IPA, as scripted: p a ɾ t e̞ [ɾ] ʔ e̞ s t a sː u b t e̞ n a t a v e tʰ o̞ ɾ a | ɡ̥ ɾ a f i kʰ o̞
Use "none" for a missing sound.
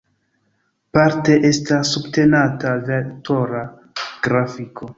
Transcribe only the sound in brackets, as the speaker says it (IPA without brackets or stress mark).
none